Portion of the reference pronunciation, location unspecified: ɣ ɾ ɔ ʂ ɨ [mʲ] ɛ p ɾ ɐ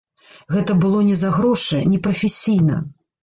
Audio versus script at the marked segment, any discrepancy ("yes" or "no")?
yes